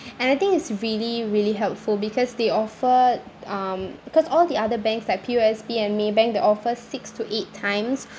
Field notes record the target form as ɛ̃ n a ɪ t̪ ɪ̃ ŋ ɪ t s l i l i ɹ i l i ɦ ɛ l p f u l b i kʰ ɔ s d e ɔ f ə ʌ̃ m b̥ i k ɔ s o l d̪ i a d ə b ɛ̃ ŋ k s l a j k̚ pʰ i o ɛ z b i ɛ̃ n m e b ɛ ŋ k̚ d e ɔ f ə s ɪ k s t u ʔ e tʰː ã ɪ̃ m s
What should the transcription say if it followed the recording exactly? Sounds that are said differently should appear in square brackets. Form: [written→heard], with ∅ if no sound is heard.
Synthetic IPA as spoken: ɛ̃ n a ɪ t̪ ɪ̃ ŋ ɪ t s [l→ɹ] i l i ɹ i l i ɦ ɛ l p f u l b i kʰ ɔ s d e ɔ f ə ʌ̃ m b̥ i k ɔ s [o→ɔ] l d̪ i a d ə b ɛ̃ ŋ k s l a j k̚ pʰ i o ɛ [z→s] b i ɛ̃ n m e b [ɛ→ɛ̃] ŋ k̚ d e ɔ f ə s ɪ k s t u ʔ e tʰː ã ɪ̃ m s